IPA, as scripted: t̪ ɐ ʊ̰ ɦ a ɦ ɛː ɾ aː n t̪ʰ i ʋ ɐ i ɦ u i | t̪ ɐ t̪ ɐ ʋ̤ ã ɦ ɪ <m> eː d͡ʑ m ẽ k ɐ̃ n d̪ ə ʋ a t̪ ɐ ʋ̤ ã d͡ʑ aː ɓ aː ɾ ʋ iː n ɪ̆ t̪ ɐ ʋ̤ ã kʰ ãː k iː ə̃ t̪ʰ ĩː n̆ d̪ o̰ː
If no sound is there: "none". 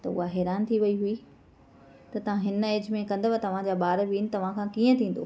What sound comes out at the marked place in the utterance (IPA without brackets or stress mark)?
n